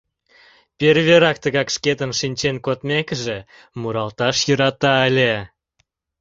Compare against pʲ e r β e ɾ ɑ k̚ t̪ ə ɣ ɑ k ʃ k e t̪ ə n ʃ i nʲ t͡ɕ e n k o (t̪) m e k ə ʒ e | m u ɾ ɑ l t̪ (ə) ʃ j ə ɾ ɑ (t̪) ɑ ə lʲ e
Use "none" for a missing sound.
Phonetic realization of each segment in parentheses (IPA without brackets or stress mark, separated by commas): t̪, ɑ, t̪